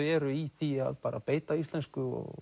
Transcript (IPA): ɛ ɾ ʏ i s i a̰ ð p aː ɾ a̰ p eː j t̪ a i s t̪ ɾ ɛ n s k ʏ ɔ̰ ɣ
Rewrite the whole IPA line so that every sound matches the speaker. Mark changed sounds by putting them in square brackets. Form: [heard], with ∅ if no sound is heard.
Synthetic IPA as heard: ɛ ɾ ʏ i [θ] i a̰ ð p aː ɾ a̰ p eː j t̪ a i s t̪ [l] ɛ n s k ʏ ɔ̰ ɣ